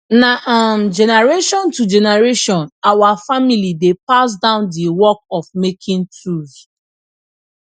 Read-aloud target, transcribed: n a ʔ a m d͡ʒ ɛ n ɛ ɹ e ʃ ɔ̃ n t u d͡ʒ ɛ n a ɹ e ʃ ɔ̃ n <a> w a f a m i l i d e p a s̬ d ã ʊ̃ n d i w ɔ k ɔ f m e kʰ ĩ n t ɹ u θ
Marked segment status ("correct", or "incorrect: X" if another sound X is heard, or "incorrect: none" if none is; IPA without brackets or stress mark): correct